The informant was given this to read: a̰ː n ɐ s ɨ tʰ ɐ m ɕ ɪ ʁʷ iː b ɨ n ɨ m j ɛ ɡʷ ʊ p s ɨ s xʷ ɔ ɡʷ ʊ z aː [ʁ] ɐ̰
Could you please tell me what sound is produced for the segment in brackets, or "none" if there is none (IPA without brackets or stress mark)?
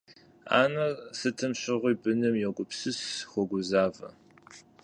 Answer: v